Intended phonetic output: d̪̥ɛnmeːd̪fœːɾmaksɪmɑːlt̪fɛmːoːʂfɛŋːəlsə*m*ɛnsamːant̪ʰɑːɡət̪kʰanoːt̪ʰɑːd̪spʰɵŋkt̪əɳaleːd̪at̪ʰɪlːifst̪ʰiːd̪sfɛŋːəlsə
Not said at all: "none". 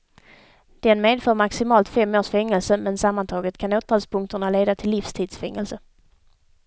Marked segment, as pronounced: m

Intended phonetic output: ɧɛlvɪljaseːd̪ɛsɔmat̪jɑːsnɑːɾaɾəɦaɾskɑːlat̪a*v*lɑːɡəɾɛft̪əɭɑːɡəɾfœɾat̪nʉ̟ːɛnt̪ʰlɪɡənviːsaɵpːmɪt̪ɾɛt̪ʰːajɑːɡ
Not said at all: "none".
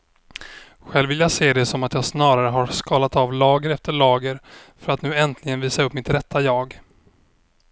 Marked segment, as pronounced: v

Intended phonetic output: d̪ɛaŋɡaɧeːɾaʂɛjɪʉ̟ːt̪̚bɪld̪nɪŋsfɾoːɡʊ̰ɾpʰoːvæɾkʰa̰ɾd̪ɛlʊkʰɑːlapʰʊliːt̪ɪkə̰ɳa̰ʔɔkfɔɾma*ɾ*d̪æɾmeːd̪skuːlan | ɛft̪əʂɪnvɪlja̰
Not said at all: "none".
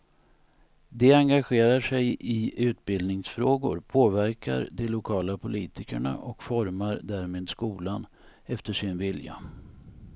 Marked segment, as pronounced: ɾ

